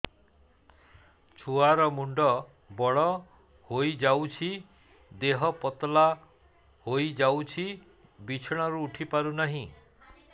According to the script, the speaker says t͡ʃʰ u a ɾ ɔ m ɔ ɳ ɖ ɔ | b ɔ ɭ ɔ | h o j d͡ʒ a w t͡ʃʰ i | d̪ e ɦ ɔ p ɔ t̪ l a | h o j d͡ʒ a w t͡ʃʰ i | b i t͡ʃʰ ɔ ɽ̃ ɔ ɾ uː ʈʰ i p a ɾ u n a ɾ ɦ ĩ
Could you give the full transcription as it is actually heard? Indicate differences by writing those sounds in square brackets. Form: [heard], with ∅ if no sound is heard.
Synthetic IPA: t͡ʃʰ u a ɾ ɔ m [u] ɳ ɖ ɔ | b ɔ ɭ ɔ | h o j d͡ʒ a w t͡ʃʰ i | d̪ e ɦ ɔ p ɔ t̪ l a | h o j d͡ʒ a w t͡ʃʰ i | b i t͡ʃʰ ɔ ɽ̃ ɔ ɾ uː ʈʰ i p a ɾ u n a [∅] ɦ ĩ